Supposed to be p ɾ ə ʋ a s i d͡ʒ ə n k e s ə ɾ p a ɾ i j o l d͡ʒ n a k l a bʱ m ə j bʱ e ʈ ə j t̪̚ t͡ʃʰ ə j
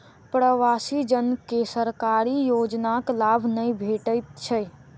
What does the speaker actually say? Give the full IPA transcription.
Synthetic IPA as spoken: p ɾ ə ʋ a s i d͡ʒ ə n k e s ə ɾ k a ɾ i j o d͡ʒ n a k l a bʱ n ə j bʱ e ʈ ə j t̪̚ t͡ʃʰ ə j